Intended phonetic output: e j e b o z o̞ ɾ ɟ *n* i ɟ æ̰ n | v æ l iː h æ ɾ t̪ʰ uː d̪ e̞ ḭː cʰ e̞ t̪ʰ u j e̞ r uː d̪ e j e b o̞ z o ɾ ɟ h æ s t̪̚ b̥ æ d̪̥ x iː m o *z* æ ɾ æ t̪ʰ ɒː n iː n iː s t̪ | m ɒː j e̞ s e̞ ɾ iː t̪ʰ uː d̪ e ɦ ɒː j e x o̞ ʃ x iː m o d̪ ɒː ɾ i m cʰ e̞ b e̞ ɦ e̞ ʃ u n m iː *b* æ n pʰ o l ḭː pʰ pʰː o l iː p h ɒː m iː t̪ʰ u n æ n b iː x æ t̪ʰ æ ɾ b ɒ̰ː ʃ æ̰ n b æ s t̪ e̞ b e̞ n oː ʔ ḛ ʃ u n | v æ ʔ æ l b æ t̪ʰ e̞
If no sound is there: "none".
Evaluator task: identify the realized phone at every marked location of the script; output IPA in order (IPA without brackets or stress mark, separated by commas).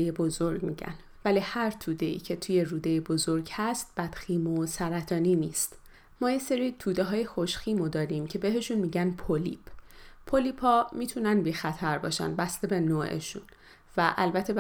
m, s, ɟ